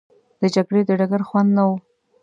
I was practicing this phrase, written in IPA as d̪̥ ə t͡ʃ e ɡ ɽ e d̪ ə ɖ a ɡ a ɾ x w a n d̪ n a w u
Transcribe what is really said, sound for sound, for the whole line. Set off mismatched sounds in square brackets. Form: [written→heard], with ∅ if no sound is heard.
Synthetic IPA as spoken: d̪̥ ə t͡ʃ [e→a] ɡ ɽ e d̪ ə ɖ a ɡ a ɾ x w a n d̪ n a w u